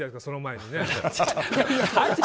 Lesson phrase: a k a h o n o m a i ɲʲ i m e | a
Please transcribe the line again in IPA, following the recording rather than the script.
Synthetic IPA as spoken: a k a s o n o m a e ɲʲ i n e | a